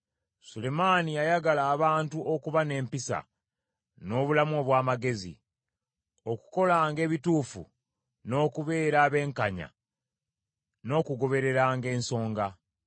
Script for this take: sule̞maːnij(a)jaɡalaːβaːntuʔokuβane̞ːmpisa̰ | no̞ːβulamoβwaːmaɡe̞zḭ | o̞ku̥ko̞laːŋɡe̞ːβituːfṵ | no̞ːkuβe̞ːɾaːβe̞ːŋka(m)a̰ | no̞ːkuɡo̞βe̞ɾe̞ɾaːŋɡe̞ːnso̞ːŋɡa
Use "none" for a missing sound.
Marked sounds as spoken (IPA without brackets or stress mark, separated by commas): a, ɲ